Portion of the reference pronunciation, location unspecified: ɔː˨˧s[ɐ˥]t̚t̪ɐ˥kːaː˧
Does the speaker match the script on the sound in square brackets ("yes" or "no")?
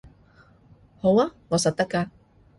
no